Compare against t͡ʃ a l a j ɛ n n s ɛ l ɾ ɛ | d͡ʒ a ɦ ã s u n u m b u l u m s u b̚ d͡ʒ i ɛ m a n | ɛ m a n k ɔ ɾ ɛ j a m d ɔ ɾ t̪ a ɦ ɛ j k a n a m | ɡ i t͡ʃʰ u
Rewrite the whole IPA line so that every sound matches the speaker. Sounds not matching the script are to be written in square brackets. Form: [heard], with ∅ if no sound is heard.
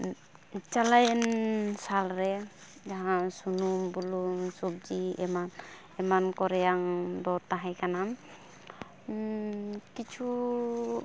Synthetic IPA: t͡ʃ a l a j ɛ n n s [a] l ɾ ɛ | d͡ʒ a ɦ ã s u n u m b u l u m s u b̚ d͡ʒ i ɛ m a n | ɛ m a n k ɔ ɾ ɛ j a [ŋ] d ɔ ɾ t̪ a ɦ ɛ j k a n a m | [k] i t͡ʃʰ u